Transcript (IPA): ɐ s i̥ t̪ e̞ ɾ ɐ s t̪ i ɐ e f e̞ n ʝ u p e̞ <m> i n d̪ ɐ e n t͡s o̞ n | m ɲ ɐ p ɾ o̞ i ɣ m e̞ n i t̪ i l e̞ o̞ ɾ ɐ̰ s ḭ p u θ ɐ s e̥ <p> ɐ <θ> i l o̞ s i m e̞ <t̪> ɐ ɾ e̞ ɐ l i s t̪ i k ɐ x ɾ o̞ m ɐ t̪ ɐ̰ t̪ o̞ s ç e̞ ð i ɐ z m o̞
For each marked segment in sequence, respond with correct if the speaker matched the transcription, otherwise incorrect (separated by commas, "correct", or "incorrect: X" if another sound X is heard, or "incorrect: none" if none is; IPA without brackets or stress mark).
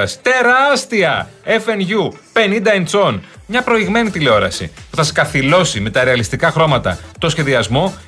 incorrect: n, incorrect: k, correct, correct